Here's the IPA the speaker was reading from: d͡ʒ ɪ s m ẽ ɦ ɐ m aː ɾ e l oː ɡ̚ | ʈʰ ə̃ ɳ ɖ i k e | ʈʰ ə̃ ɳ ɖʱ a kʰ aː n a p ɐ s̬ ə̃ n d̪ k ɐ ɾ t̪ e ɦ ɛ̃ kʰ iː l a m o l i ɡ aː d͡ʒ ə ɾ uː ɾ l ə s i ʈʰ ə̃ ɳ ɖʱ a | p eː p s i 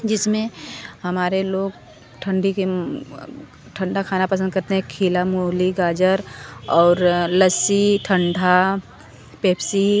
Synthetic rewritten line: d͡ʒ ɪ s m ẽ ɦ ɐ m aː ɾ e l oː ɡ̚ | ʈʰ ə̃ ɳ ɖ i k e | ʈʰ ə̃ ɳ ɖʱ a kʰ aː n a p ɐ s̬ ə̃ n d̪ k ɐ ɾ t̪ e ɦ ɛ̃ kʰ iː l a m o l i ɡ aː d͡ʒ ə ɾ ɔː ɾ l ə s i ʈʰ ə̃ ɳ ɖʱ a | p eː p s i